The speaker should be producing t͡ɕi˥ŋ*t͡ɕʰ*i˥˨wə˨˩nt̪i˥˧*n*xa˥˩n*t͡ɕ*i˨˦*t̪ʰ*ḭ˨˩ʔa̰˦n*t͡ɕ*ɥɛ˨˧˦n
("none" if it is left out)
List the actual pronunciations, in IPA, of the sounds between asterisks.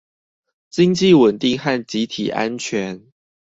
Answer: t͡ɕ, ŋ, t͡ɕ, t̪ʰ, t͡ɕʰ

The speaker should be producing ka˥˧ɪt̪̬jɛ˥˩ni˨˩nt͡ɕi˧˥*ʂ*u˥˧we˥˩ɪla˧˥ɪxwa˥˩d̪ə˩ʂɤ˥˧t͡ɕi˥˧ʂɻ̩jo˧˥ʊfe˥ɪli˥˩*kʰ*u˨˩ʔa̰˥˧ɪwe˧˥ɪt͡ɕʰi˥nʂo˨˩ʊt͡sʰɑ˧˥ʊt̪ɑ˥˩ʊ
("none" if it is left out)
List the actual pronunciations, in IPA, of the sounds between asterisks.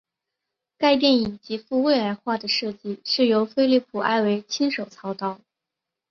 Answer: f, pʰ

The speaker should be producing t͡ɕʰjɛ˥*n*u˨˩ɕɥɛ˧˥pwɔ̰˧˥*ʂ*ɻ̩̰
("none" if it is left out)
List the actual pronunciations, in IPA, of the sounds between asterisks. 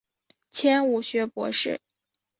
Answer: n, ʂ

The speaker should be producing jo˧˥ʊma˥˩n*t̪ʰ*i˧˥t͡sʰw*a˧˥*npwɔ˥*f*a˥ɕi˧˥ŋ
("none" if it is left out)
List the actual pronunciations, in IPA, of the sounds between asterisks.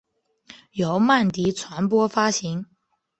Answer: t̪, a˧˥, f

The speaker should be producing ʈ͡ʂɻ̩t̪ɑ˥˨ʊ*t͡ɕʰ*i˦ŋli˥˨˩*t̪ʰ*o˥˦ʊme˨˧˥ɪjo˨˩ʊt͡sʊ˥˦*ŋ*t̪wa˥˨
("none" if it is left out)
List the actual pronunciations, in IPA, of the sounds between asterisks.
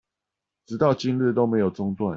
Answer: t͡ɕ, t̪, ŋ

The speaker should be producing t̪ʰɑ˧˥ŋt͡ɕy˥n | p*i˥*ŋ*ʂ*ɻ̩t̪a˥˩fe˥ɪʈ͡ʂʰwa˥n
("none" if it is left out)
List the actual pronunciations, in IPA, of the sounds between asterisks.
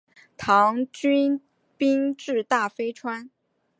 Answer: i˥, ʈ͡ʂ

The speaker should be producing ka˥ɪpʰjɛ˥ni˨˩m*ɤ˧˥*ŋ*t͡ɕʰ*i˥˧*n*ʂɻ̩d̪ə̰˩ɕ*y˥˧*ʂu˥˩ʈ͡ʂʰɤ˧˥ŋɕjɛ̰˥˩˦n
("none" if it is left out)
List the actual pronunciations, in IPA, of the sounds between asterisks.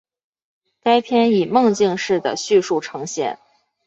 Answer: ɤ˥˧, t͡ɕ, ŋ, y˥˧

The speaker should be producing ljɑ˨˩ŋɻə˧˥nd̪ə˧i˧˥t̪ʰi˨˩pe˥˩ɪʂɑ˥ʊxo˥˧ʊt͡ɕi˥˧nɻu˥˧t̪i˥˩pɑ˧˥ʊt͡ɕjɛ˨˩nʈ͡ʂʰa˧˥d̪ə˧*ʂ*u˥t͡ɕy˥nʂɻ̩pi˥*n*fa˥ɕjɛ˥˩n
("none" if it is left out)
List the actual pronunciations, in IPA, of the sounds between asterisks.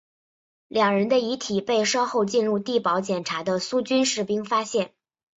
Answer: s, ŋ

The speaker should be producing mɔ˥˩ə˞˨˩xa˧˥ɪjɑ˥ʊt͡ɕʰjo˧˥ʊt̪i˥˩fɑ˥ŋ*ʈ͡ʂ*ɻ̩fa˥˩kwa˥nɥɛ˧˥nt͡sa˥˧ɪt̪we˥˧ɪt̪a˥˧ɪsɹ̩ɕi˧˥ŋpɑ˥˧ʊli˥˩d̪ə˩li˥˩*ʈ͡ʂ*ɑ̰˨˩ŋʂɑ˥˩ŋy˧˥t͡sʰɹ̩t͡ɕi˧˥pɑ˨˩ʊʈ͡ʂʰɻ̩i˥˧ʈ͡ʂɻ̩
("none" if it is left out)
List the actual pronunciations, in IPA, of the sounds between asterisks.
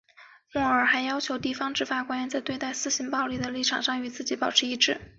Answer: ʈ͡ʂ, ʈ͡ʂʰ

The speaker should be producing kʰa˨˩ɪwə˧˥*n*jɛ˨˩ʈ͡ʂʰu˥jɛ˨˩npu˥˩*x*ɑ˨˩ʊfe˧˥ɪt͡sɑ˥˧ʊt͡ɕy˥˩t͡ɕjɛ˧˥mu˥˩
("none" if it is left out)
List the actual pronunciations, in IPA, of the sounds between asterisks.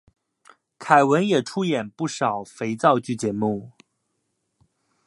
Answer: n, ʂ

